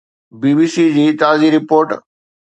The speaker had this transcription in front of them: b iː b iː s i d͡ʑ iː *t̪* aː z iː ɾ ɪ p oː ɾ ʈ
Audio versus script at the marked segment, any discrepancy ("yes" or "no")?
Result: no